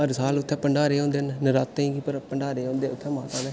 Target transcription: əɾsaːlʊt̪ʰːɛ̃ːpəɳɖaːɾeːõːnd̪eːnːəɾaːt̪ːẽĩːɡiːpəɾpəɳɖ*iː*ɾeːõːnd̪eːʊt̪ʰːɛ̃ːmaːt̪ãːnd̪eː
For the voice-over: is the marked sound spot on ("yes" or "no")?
no